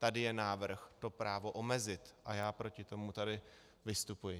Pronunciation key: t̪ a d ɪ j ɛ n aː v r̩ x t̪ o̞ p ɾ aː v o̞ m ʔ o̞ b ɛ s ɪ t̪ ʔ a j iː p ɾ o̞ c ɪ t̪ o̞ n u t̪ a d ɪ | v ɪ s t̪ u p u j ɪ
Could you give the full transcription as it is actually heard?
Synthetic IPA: t̪ a d ɪ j ɛ n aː v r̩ x t̪ o̞ p ɾ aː v o̞ ʔ o̞ m ɛ z ɪ t̪ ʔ a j aː p ɾ o̞ c ɪ t̪ o̞ m u t̪ a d ɪ | v ɪ s t̪ u p u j ɪ